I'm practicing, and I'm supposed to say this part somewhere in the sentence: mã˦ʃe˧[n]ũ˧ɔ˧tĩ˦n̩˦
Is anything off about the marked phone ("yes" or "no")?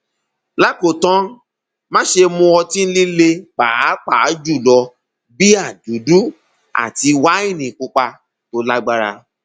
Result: yes